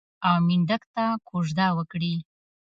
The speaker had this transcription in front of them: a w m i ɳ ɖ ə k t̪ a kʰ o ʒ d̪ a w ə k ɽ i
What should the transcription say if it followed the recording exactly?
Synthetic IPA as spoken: a w m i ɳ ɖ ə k t̪ a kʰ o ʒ d̪ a w ə k ɽ i